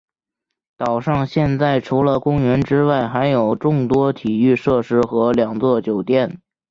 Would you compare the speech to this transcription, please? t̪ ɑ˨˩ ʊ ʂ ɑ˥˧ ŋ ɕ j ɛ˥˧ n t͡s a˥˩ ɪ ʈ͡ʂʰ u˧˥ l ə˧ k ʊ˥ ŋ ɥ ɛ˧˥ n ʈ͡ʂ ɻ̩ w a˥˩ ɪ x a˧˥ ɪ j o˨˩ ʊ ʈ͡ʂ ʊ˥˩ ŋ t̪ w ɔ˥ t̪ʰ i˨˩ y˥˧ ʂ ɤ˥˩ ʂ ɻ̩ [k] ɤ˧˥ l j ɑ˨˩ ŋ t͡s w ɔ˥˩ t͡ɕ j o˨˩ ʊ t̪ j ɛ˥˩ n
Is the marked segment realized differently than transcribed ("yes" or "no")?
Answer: yes